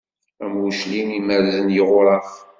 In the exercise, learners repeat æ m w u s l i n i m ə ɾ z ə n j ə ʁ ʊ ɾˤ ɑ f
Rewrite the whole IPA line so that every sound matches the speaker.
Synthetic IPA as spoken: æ m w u ʃ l i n i m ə ɾ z ə n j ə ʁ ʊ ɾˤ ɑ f